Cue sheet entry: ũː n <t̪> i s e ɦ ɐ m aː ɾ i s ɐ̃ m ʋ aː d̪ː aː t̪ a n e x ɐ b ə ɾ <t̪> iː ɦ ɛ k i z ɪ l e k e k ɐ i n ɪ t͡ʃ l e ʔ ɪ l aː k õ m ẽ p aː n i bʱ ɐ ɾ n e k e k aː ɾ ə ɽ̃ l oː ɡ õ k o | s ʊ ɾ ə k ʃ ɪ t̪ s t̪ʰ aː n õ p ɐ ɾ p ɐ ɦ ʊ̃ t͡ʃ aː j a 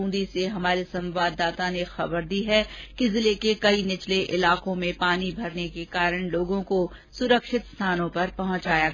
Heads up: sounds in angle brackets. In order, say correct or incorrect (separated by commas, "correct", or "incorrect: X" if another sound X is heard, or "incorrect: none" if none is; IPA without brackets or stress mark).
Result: incorrect: d̪, incorrect: d̪